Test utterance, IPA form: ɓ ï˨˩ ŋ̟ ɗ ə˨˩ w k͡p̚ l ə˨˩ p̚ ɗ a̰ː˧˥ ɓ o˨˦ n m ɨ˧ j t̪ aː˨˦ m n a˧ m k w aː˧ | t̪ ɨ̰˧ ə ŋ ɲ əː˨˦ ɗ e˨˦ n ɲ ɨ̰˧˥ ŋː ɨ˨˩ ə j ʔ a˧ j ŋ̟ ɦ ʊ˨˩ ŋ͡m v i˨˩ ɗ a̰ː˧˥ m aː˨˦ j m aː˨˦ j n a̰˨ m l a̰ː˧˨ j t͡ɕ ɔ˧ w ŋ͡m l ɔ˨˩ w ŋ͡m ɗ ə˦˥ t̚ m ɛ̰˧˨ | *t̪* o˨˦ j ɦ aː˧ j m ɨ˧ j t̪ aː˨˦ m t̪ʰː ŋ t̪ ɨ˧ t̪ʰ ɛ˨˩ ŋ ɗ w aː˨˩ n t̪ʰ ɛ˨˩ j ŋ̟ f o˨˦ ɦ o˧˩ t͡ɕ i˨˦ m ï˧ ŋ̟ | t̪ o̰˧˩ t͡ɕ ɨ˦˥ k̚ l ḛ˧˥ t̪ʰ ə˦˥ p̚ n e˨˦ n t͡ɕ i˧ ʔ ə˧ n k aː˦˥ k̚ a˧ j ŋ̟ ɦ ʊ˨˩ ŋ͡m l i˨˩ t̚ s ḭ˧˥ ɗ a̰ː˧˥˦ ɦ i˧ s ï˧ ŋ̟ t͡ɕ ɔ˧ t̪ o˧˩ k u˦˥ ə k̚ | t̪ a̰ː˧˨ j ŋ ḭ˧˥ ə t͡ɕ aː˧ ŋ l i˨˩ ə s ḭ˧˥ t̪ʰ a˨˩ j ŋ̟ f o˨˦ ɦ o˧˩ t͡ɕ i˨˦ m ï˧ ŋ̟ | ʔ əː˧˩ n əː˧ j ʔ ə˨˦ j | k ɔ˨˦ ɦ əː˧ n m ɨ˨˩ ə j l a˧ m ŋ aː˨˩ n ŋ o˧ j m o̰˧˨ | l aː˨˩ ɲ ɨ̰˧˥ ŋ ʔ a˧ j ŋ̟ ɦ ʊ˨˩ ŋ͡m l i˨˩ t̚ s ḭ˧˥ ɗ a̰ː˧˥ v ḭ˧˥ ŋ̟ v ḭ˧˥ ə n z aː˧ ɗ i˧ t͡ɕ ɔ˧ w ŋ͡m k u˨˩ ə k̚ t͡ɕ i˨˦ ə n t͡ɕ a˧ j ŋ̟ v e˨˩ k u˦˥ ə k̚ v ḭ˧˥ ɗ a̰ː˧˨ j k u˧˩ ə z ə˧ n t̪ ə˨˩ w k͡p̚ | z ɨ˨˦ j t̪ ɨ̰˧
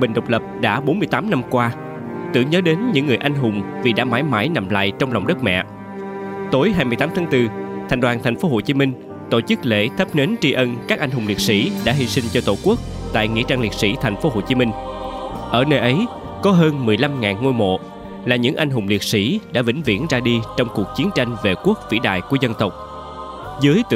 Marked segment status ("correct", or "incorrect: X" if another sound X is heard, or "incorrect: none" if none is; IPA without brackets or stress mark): correct